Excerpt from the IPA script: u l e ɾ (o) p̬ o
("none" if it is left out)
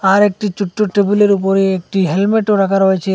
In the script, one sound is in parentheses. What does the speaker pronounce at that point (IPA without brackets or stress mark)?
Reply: u